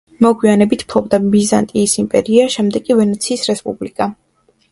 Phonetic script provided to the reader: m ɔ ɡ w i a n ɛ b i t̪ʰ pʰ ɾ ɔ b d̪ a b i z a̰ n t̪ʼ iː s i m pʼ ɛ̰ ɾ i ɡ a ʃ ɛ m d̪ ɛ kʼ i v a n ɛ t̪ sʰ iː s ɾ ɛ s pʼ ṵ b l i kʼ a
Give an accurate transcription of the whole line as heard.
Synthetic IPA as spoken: m ɔ ɡ w i a n ɛ b i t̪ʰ pʰ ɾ ɔ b d̪ a b i z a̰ n t̪ʼ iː s i m pʼ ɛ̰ ɾ i a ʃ ɛ m d̪ ɛ kʼ i v ɛ n ɛ t̪ sʰ iː s ɾ ɛ s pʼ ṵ b l i kʼ a